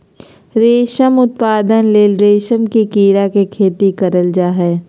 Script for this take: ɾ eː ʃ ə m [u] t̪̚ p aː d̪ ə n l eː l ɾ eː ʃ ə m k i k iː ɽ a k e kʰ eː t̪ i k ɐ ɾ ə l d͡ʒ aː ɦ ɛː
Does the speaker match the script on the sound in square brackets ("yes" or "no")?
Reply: no